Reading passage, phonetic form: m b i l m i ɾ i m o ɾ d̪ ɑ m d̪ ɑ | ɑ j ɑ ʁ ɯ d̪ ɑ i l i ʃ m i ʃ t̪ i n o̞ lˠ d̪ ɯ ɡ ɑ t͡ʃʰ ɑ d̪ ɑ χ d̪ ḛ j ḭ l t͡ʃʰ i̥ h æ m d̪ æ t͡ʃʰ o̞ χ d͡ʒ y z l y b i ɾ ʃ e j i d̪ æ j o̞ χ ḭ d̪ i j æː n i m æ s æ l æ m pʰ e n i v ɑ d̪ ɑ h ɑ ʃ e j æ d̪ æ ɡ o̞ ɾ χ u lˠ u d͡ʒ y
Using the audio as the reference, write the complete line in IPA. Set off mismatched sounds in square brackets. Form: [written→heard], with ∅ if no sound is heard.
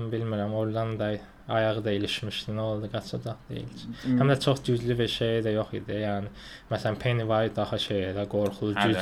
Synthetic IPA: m b i l m i ɾ [i→æ] m o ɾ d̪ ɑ [m→n] d̪ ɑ | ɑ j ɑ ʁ ɯ d̪ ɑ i l i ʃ m i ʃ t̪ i n o̞ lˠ d̪ ɯ ɡ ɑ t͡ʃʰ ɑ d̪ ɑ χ d̪ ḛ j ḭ l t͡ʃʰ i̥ h æ m d̪ æ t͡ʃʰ o̞ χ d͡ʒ y z l y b i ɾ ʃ e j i d̪ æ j o̞ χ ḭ d̪ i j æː n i m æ s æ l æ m pʰ e n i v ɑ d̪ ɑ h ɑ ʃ e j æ d̪ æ ɡ o̞ ɾ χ u lˠ u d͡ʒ y